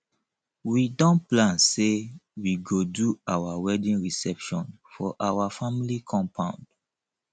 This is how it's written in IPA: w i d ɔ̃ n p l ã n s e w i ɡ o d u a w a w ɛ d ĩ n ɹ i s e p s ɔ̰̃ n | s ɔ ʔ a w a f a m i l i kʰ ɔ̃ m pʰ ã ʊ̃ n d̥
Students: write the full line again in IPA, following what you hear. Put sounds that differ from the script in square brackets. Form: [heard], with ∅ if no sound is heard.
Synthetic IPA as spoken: w i d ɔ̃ n p l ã n s e w i ɡ o d u a w a w ɛ d ĩ n ɹ i s [ɛ] p [ʃ] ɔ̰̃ n | [f] ɔ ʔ a w a f a m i l i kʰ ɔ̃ m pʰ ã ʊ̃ n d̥